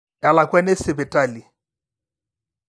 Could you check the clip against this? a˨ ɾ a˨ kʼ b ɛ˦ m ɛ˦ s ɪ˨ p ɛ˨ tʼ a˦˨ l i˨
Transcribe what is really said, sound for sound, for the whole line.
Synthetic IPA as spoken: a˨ l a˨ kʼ w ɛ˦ n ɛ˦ s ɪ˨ b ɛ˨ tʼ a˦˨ l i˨